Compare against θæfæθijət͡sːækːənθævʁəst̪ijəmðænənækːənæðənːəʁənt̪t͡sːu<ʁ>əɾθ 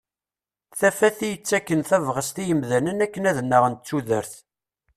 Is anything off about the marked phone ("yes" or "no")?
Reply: yes